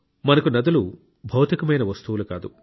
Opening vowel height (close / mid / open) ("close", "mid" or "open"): open